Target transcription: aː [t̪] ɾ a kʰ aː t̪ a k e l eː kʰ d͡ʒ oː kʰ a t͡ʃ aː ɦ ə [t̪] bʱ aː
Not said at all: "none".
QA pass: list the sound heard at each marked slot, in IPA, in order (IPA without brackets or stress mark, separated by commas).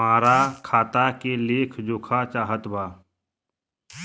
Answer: none, t̪